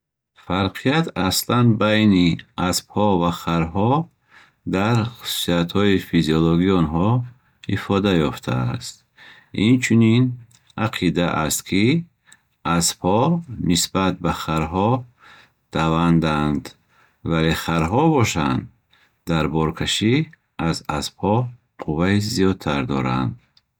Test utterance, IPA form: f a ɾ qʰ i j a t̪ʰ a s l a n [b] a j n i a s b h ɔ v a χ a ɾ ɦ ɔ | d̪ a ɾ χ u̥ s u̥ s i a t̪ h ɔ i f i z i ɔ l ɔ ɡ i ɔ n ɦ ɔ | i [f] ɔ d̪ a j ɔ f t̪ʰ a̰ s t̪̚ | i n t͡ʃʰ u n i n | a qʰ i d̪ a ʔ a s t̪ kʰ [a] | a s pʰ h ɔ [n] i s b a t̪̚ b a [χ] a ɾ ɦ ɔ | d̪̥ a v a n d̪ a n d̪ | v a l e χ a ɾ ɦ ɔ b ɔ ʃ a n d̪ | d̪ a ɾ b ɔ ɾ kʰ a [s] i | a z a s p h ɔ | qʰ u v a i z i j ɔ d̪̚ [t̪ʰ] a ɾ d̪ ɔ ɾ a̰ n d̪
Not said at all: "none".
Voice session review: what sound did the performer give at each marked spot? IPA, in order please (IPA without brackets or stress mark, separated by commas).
b, f, i, n, χ, ʃ, t̪ʰ